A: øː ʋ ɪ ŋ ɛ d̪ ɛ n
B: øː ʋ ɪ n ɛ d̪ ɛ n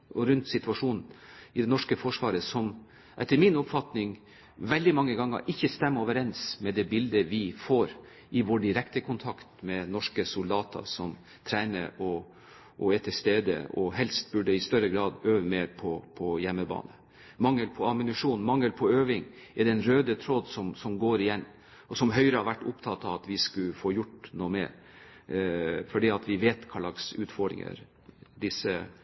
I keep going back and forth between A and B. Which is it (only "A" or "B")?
A